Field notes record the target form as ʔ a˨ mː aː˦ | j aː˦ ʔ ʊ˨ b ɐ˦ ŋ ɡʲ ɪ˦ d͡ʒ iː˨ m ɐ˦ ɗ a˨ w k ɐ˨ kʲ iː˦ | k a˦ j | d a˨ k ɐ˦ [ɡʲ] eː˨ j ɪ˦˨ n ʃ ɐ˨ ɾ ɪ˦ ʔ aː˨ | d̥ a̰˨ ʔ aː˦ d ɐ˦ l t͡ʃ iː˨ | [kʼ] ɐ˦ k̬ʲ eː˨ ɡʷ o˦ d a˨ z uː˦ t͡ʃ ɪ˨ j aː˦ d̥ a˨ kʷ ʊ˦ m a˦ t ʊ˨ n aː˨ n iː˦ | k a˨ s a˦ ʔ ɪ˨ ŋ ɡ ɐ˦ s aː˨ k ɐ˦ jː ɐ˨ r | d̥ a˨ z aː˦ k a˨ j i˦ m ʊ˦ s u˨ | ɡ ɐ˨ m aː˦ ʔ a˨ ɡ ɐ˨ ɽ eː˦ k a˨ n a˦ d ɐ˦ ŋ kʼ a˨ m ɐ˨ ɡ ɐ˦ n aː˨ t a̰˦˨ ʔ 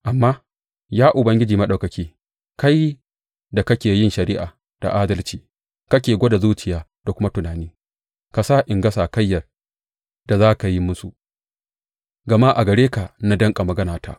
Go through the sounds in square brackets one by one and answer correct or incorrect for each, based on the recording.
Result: incorrect: kʲ, incorrect: k

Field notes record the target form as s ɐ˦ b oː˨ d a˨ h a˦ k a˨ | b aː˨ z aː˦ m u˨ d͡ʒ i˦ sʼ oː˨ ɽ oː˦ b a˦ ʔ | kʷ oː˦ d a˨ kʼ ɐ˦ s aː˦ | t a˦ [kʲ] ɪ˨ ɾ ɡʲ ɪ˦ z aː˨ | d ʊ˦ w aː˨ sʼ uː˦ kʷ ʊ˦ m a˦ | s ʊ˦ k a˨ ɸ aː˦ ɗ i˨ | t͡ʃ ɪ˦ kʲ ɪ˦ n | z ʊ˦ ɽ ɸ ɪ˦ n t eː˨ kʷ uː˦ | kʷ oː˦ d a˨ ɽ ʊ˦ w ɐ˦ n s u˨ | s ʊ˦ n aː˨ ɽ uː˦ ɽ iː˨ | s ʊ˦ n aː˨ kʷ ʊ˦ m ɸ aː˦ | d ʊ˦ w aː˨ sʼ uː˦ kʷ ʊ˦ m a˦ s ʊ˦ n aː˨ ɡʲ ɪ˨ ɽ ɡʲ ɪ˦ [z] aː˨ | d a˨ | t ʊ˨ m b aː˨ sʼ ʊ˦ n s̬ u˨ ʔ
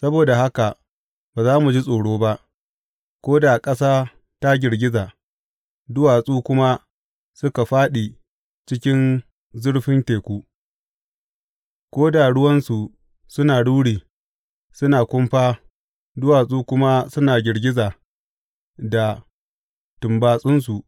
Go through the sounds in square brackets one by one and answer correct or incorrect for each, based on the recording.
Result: incorrect: ɡʲ, correct

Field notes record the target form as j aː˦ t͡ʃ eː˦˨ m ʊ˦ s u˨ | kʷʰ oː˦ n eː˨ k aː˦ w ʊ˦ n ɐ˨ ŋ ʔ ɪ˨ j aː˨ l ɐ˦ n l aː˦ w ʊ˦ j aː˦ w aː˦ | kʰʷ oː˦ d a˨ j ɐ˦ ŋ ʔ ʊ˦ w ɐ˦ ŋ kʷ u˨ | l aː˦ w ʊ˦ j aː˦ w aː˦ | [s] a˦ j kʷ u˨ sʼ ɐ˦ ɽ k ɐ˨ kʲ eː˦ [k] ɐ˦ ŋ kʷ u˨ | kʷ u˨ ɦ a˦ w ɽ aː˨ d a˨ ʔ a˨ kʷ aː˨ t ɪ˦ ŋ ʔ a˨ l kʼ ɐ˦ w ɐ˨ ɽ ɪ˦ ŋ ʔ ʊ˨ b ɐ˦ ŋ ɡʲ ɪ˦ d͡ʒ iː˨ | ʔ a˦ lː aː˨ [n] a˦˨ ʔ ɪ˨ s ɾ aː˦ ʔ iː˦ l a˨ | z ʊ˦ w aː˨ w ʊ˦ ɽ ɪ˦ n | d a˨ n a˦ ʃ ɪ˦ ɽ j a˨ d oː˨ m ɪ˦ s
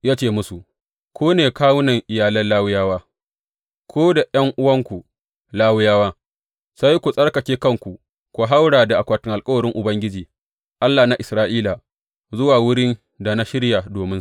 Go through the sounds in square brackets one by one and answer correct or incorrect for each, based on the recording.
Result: correct, correct, correct

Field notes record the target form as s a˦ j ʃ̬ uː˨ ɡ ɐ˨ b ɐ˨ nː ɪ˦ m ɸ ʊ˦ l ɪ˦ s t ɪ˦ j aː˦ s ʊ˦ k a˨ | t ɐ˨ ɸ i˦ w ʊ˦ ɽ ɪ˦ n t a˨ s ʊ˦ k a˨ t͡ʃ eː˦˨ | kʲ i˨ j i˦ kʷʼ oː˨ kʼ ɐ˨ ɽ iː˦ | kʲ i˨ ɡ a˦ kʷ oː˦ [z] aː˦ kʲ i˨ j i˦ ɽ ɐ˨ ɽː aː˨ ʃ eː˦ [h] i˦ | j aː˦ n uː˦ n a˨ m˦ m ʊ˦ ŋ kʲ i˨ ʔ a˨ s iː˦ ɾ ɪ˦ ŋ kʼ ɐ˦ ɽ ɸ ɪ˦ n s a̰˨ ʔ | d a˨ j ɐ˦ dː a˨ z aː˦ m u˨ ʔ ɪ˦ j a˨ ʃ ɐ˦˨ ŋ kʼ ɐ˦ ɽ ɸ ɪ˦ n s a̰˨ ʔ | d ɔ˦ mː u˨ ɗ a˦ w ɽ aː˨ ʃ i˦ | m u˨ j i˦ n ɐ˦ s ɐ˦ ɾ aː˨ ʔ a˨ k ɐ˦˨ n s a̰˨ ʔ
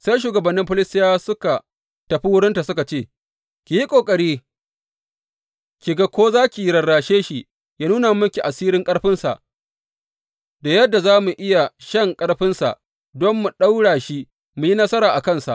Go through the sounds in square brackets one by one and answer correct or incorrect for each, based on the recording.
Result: correct, incorrect: ʃ

